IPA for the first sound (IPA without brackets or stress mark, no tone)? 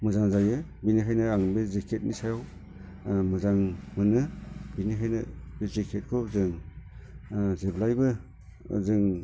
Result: m